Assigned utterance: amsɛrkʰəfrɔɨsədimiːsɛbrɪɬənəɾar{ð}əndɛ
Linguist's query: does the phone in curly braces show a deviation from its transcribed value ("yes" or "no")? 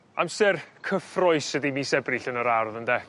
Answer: no